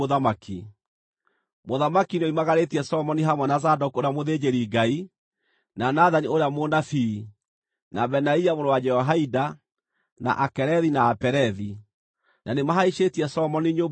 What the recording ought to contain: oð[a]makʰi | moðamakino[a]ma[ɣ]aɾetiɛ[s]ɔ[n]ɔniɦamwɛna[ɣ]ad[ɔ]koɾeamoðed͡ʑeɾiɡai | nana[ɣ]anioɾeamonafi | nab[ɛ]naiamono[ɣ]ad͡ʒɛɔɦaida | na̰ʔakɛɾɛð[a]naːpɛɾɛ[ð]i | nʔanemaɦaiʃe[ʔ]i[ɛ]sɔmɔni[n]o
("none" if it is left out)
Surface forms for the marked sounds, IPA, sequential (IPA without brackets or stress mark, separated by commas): a, i, ɣ, s, m, z, ɔ, ð, ɛ, w, i, ð, t, ɛ, ɲ